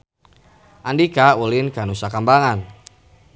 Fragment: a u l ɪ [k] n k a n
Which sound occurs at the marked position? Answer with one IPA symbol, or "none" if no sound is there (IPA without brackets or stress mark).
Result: none